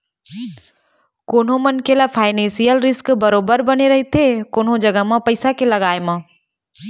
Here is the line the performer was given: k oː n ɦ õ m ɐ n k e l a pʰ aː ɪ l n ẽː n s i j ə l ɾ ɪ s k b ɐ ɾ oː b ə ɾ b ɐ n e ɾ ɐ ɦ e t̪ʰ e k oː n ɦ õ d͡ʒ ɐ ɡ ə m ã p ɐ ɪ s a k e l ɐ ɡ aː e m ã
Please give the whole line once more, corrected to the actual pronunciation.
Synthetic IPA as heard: k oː n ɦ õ m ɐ n k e l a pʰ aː ɪ n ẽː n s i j ə l ɾ ɪ s k b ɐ ɾ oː b ə ɾ b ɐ n e ɾ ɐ ɦ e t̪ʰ e k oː n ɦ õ d͡ʒ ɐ ɡ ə m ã p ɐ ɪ s a k e l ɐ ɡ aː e m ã